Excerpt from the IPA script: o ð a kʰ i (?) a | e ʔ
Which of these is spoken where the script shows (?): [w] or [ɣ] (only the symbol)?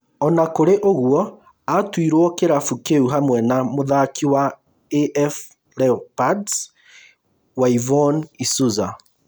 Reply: w